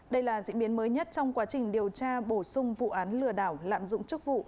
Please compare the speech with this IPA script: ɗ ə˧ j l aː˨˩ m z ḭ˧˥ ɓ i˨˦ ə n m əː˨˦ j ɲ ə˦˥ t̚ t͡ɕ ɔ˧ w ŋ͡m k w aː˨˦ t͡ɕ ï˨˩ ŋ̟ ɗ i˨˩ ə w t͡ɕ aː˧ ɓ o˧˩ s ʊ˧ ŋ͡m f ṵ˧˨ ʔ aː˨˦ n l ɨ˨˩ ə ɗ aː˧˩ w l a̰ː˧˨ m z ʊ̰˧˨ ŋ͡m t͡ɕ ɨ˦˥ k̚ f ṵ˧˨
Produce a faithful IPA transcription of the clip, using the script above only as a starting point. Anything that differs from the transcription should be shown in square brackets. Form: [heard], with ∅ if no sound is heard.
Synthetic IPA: ɗ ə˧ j l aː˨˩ [∅] z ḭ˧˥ ɓ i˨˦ ə n m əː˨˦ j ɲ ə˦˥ t̚ t͡ɕ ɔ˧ w ŋ͡m k w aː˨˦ t͡ɕ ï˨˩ ŋ̟ ɗ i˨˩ ə w t͡ɕ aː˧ ɓ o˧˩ s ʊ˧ ŋ͡m [v] ṵ˧˨ ʔ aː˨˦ n l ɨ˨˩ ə ɗ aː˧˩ w l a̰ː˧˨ m z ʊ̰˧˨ ŋ͡m t͡ɕ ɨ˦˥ k̚ [v] ṵ˧˨